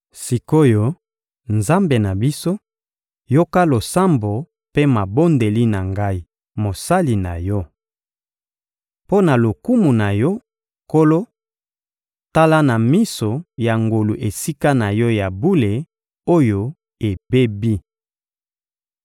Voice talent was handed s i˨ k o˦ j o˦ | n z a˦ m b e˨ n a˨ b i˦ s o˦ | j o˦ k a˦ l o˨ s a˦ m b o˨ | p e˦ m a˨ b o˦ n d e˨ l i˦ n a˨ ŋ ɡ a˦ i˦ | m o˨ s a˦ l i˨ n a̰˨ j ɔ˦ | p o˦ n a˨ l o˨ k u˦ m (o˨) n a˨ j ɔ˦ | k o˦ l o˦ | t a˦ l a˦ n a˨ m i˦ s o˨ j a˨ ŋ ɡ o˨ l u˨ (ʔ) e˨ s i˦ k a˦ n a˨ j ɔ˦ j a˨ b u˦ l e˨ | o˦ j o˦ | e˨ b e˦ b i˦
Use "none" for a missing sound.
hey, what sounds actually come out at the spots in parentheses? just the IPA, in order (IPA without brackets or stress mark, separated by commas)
u˨, ʔ